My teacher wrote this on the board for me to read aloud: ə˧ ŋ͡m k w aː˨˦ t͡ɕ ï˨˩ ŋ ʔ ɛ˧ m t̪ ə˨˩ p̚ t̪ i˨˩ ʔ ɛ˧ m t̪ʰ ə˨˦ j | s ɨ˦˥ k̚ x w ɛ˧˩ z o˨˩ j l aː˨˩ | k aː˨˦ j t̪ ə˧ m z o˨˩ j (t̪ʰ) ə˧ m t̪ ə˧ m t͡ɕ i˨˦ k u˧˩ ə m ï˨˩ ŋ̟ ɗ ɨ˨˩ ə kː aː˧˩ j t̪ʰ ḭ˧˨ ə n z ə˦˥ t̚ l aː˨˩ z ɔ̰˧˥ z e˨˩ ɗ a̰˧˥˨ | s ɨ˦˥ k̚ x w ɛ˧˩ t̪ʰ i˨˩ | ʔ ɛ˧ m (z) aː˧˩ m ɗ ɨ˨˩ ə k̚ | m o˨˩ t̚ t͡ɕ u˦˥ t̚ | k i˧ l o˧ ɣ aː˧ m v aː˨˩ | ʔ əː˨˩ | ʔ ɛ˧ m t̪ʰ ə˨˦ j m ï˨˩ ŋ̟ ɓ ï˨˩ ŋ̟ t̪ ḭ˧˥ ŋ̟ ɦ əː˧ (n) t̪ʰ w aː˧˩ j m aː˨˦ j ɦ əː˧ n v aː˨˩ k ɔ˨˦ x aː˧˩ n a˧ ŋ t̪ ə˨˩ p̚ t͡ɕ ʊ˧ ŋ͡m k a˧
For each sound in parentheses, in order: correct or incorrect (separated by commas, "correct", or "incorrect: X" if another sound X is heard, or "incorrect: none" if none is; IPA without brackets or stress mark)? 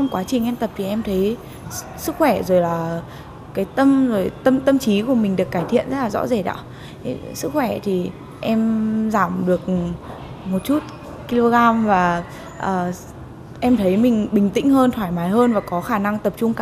incorrect: t̪, correct, correct